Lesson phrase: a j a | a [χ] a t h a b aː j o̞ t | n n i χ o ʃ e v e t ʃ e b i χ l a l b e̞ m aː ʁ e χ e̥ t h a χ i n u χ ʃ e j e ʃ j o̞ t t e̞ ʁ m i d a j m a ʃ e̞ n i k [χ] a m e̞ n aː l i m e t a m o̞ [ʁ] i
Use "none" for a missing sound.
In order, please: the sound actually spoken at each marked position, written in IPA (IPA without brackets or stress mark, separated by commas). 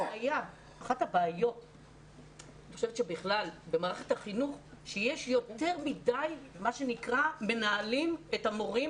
χ, ʁ, ʁ